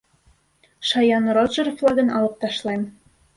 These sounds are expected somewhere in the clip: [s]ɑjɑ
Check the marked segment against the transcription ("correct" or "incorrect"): incorrect